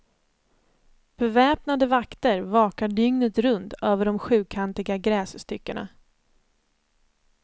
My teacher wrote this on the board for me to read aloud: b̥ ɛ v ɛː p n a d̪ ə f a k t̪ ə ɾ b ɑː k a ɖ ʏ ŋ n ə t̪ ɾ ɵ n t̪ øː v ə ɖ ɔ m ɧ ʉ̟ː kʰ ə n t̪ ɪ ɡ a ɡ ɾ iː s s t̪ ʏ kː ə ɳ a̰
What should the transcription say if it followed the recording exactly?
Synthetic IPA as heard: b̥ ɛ v ɛː p n a d̪ ə v a k t̪ ə ɾ v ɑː k a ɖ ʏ ŋ n ə t̪ ɾ ɵ n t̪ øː v ə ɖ ɔ m ɧ ʉ̟ː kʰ a n t̪ ɪ ɡ a ɡ ɾ ɛː s s t̪ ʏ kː ə ɳ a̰